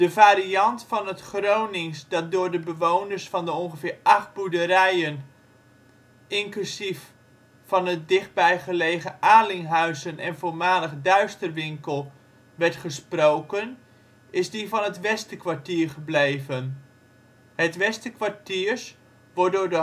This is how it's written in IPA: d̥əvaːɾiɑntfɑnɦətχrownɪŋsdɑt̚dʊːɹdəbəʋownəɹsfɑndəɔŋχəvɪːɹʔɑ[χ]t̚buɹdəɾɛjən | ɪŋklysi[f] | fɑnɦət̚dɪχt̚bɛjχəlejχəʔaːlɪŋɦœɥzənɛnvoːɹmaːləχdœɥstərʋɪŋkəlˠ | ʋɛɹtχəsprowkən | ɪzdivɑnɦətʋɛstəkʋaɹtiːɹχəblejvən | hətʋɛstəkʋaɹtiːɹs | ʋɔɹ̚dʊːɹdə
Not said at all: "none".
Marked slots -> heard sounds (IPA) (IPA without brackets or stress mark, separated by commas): χ, f